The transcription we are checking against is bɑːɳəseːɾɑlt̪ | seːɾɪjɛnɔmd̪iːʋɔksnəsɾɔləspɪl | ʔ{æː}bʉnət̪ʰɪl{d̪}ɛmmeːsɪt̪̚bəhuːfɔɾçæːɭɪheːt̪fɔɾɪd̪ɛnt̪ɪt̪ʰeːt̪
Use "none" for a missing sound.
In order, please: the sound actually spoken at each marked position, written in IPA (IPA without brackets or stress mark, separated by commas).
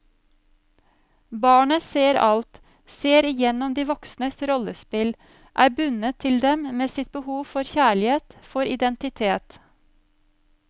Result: æː, d̪